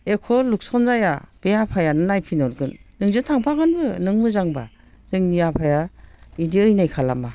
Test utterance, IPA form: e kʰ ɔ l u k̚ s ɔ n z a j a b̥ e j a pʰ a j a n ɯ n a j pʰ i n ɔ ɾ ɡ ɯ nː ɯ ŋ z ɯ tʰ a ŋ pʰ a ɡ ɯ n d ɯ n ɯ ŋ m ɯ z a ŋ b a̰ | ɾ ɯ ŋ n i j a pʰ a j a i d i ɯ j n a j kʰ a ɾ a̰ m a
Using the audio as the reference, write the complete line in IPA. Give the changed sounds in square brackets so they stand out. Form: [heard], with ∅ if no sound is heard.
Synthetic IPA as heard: e kʰ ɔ l u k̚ s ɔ n z a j a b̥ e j a pʰ a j a n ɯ n a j pʰ i n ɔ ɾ ɡ ɯ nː ɯ ŋ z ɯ tʰ a ŋ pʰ a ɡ ɯ n [b] ɯ n ɯ ŋ m ɯ z a ŋ b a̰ | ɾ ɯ ŋ n i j a pʰ a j a i d i ɯ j n a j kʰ a [l] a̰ m a